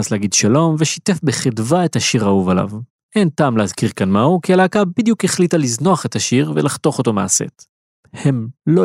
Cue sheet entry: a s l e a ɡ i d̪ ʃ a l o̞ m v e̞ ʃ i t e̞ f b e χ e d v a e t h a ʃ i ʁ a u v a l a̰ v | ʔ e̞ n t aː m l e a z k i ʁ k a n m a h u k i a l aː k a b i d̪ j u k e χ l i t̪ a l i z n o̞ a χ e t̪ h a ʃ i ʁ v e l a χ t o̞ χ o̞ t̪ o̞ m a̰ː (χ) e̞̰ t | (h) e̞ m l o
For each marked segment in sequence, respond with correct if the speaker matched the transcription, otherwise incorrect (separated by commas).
incorrect, correct